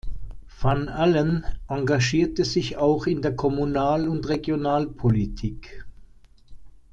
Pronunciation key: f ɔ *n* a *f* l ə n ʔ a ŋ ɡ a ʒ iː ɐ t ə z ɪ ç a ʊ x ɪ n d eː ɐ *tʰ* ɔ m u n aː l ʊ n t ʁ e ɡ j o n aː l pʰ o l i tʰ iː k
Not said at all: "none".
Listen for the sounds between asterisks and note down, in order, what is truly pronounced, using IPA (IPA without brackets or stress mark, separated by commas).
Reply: n, none, kʰ